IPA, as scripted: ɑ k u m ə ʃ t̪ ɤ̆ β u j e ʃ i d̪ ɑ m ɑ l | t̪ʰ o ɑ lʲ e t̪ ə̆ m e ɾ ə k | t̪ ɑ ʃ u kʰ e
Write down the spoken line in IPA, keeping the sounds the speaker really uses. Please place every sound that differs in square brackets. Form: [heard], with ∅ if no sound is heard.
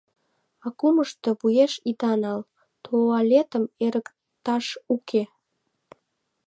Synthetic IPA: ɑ k u m ə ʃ t̪ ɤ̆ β u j e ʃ i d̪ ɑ [n] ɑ l | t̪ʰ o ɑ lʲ e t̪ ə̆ m e ɾ ə k | t̪ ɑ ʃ u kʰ e